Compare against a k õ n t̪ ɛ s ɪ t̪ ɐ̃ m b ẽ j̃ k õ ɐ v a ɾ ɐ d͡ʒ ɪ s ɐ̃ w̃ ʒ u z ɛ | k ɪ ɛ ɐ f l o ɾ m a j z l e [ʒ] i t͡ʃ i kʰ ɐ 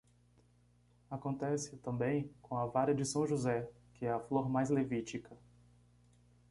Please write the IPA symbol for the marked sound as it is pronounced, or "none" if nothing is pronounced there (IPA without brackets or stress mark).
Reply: v